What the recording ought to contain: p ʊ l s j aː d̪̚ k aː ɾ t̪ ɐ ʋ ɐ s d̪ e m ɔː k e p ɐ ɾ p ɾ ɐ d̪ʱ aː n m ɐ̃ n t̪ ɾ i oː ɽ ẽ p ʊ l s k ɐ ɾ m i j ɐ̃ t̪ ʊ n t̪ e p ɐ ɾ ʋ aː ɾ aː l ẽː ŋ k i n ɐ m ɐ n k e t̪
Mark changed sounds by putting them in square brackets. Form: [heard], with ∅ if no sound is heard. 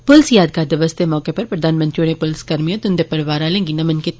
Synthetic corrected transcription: p ʊ l s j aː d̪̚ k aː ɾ [d̪] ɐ ʋ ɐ s [t̪] e m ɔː k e p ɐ ɾ p ɾ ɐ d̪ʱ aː n m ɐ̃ n t̪ ɾ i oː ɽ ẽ p ʊ l s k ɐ ɾ m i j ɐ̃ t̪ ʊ n [d̪] e p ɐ ɾ ʋ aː ɾ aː l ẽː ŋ [ɡ] i n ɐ m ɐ n k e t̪